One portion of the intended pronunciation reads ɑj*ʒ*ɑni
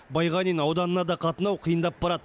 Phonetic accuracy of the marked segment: incorrect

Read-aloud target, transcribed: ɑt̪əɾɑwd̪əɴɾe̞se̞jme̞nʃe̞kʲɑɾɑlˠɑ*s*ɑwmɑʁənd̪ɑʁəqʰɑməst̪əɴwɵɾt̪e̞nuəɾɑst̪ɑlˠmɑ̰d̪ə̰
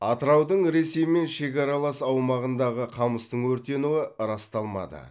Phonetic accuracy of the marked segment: correct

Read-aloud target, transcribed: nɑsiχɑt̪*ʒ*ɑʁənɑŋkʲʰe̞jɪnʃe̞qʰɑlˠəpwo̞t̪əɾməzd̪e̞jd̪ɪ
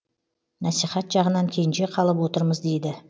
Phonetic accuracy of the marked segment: correct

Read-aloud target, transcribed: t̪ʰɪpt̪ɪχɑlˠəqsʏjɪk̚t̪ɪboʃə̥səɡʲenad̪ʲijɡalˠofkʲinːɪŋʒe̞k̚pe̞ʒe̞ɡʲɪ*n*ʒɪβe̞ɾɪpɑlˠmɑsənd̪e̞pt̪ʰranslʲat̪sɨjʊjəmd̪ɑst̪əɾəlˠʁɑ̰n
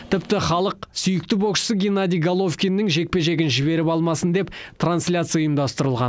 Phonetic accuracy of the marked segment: correct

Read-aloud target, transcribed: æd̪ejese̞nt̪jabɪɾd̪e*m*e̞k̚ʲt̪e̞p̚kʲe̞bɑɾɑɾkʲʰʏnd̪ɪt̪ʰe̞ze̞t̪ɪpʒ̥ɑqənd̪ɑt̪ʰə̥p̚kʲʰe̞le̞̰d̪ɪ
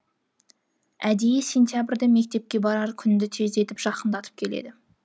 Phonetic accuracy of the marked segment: correct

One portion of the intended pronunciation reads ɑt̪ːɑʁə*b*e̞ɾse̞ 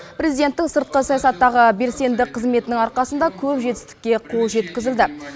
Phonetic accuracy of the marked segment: correct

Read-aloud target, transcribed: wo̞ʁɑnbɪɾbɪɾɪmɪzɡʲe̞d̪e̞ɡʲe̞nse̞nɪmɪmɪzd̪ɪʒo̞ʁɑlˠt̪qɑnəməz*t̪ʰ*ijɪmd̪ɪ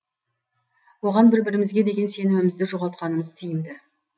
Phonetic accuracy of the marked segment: correct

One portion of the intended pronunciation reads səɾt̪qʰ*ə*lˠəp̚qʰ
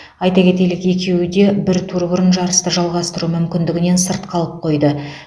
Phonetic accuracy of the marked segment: incorrect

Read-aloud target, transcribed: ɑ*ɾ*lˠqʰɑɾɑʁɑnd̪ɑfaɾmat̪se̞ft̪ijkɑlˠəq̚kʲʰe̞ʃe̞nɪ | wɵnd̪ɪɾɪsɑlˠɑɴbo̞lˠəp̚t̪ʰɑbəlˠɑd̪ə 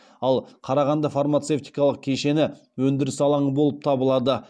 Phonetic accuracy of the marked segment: incorrect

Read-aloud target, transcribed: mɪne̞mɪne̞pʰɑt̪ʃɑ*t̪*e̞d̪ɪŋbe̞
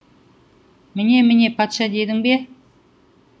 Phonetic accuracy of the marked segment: incorrect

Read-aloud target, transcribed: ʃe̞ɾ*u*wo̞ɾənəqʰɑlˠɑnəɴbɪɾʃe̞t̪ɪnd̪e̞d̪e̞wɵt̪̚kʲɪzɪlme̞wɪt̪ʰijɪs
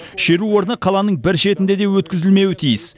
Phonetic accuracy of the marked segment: correct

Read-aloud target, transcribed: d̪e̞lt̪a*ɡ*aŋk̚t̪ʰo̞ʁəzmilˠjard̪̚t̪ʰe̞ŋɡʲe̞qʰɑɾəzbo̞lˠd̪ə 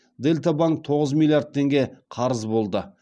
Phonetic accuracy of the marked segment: incorrect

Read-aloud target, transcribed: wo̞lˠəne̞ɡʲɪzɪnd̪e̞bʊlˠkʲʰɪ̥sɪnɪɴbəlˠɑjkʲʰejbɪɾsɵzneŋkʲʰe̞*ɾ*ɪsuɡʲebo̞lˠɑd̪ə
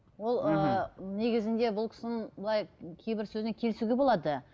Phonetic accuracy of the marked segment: incorrect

